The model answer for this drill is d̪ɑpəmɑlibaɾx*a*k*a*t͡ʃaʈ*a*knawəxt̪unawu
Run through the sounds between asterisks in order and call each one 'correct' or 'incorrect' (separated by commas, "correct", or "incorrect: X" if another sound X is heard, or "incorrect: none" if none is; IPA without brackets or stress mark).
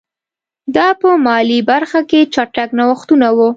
correct, incorrect: e, correct